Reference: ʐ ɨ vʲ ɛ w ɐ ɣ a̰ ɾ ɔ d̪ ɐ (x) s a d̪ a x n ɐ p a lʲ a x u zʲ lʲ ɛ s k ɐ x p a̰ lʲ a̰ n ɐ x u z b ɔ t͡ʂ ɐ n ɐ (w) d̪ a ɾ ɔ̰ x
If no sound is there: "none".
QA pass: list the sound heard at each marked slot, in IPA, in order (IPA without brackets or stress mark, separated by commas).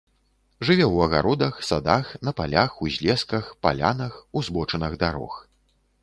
x, ɣ